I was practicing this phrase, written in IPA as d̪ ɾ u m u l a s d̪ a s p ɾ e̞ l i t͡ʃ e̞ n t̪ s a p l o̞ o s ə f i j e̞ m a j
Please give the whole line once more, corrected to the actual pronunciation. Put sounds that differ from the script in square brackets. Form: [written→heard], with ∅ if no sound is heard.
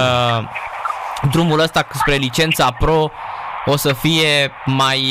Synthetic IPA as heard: d̪ ɾ u m u l [a→ə] s [d̪→t̪] a s p ɾ e̞ l i t͡ʃ e̞ n t̪ s a p [l→ɾ] o̞ o s ə f i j e̞ m a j